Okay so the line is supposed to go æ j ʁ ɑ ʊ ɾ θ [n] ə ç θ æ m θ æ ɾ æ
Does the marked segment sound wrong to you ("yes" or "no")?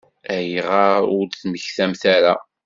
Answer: yes